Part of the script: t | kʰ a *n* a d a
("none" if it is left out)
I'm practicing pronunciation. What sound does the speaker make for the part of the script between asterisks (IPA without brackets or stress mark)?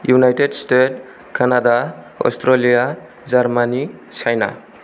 n